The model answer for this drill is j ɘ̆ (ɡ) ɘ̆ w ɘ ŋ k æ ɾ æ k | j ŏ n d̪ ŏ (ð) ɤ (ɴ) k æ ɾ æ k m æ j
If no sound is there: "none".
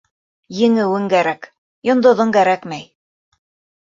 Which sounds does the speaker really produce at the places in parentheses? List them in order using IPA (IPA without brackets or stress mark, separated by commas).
ŋ, ð, ŋ